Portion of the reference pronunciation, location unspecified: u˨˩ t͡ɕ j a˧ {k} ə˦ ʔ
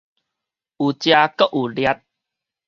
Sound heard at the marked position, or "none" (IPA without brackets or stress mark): k